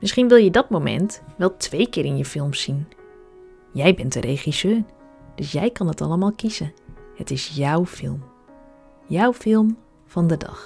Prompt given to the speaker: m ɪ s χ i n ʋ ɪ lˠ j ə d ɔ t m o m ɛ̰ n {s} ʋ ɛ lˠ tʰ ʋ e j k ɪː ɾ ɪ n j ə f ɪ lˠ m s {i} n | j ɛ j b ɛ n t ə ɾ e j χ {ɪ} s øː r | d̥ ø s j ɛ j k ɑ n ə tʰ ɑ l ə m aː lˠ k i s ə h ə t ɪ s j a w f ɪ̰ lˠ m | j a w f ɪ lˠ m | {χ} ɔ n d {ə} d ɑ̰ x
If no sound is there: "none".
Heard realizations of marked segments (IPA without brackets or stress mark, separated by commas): t, i, i, f, ə